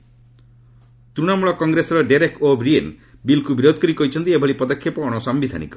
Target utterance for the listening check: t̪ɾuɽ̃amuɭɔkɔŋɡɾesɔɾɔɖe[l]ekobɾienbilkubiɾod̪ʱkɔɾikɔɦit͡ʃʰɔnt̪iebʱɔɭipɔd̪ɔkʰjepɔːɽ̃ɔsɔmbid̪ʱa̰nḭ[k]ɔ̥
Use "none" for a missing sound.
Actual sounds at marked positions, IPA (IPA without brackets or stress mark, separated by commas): ɾ, k